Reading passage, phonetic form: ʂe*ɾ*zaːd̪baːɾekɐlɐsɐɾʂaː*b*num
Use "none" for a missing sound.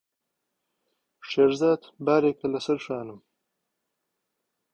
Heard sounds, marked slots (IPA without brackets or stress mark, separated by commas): ɾ, none